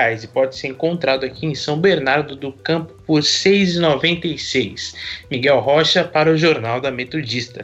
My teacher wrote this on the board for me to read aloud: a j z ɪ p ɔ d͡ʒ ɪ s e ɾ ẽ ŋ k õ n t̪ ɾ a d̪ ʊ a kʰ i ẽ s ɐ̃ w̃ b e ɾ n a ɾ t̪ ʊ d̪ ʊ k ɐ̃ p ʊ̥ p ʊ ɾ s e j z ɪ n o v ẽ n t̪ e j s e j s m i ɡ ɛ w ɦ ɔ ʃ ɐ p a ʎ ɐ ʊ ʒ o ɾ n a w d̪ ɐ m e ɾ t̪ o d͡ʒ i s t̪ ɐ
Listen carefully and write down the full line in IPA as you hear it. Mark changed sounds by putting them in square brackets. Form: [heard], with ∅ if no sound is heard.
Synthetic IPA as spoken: a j z ɪ p ɔ d͡ʒ ɪ s e ɾ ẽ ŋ k õ n t̪ ɾ a d̪ ʊ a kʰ i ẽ s ɐ̃ w̃ b e ɾ n a ɾ [d̪] ʊ d̪ ʊ k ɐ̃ p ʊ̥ p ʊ ɾ s e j z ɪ n o v ẽ n t̪ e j s e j s m i ɡ ɛ w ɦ ɔ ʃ ɐ p a [ɾ] ɐ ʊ ʒ o ɾ n a w d̪ ɐ m e [∅] t̪ o d͡ʒ i s t̪ ɐ